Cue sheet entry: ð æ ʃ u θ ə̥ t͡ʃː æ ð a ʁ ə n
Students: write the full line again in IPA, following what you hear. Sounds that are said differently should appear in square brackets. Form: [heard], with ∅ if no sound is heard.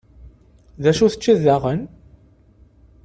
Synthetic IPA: ð æ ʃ u θ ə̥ t͡ʃː [i] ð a ʁ ə n